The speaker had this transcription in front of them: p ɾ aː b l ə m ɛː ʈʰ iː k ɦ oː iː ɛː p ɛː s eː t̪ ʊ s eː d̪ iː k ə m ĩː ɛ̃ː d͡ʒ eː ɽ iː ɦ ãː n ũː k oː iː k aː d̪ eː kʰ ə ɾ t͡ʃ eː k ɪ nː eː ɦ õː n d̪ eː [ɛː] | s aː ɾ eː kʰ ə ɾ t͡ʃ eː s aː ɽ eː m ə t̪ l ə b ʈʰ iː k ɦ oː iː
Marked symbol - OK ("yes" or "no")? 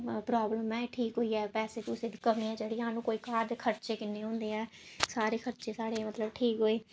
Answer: yes